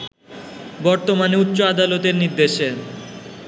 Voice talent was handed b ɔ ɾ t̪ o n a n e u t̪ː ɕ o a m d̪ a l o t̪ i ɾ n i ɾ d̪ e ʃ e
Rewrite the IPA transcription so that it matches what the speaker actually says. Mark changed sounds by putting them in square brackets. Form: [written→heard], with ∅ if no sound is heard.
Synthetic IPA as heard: b ɔ ɾ t̪ o [n→m] a n e u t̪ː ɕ o a [m→∅] d̪ a l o t̪ [i→e] ɾ n i ɾ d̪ e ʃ e